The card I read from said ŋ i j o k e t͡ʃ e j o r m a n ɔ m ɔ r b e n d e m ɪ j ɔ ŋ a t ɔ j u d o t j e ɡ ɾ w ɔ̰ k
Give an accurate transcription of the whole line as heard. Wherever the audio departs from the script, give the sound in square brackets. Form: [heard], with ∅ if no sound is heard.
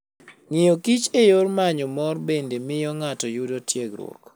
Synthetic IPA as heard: ŋ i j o k [i] t͡ʃ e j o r m a [ɲ] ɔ m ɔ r b e n d e m ɪ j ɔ ŋ a t ɔ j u d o t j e ɡ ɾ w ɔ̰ k